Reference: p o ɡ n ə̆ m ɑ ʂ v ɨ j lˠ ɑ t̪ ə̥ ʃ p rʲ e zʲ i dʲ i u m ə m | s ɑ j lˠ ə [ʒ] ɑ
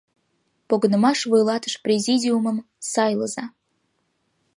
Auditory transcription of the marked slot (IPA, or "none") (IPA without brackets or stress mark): z